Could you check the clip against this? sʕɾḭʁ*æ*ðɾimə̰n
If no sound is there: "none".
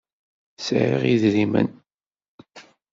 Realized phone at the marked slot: i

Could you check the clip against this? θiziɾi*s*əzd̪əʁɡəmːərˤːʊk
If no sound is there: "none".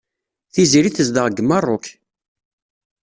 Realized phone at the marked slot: θ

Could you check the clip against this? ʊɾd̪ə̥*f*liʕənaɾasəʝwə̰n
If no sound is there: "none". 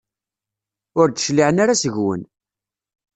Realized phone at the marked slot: ʃ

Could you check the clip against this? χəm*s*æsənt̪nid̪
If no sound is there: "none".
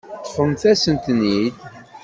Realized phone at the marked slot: θ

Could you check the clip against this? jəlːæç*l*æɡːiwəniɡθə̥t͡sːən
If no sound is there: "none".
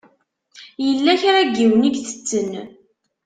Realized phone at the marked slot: ɾ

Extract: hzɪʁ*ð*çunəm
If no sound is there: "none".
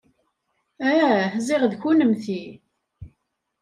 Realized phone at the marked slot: ð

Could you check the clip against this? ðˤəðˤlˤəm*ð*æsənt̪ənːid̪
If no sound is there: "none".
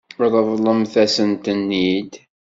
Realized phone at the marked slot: θ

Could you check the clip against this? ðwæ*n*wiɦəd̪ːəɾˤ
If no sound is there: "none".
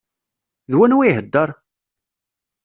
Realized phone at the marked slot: n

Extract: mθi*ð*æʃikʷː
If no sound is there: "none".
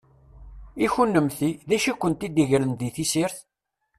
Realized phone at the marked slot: ð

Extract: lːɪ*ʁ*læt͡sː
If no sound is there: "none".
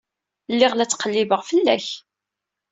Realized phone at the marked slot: ʁ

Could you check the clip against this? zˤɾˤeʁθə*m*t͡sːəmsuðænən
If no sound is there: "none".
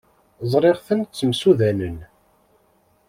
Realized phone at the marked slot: n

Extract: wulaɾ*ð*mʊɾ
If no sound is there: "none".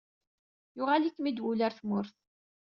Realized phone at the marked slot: θ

